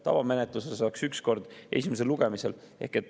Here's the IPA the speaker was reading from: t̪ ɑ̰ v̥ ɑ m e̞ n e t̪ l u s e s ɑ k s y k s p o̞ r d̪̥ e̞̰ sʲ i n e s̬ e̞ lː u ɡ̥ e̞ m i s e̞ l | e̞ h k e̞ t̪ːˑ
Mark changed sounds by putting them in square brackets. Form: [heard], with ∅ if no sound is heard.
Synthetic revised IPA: t̪ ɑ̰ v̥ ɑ m e̞ n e t̪ l u s e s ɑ k s y k s [k] o̞ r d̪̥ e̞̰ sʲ i [m] e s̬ e̞ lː u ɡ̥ e̞ m i s e̞ l | e̞ h k e̞ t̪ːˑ